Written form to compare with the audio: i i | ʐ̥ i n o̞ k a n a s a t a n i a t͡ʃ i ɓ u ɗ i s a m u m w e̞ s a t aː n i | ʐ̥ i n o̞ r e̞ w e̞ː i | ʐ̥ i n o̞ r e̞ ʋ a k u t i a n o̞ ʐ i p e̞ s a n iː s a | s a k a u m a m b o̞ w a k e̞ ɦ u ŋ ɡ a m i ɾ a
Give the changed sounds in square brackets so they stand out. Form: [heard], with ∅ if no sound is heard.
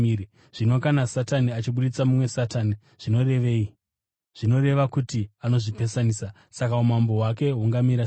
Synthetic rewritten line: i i | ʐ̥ i n o̞ k a n a s a t a n i a t͡ʃ i ɓ u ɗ i [t͡s] a m u m w e̞ s a t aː n i | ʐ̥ i n o̞ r e̞ [ʋ] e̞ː i | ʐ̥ i n o̞ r e̞ ʋ a k u t i a n o̞ ʐ i p e̞ s a n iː s a | s a k a u m a m b o̞ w a k e̞ ɦ u ŋ ɡ a m i ɾ a